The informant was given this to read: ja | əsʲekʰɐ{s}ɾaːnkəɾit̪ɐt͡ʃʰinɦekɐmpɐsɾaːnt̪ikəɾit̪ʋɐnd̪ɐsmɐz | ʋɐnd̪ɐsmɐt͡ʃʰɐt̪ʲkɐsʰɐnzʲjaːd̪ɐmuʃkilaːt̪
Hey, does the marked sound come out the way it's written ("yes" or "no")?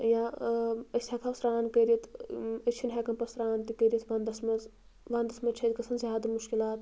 yes